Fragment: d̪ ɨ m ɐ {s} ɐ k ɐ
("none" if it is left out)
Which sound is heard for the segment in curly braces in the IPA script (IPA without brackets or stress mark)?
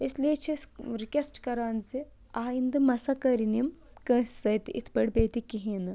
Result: s